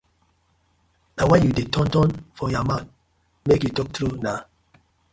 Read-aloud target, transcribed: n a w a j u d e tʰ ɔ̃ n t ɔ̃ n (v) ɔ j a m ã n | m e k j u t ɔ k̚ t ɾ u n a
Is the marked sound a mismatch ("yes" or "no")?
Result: yes